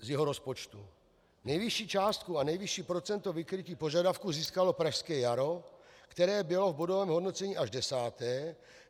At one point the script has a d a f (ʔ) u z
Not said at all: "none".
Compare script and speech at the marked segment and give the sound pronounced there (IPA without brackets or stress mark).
k